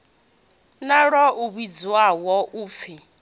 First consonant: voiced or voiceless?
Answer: voiced